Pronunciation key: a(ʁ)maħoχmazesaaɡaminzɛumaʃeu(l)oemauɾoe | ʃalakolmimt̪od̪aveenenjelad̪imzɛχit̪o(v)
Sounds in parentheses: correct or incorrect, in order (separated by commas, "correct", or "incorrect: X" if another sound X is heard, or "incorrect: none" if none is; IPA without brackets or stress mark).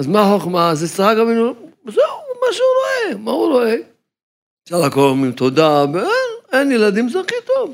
incorrect: z, incorrect: ɾ, correct